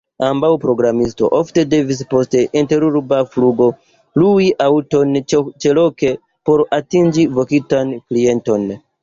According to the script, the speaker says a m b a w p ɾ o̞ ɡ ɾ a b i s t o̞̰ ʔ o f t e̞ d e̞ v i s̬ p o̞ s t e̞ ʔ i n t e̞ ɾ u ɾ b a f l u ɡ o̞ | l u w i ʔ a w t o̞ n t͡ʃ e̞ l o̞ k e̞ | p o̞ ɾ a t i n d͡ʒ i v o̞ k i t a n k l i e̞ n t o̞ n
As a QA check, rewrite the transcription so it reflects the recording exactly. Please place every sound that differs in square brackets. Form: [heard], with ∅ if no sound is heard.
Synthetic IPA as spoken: a m b a w p ɾ o̞ ɡ ɾ a [m] i s t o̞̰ ʔ o f t e̞ d e̞ v i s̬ p o̞ s t e̞ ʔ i n t e̞ ɾ u ɾ b a f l u ɡ o̞ | l u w i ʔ a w t o̞ n t͡ʃ e̞ l o̞ k e̞ | p o̞ ɾ a t i n d͡ʒ i v o̞ k i t a n k l i e̞ n t o̞ n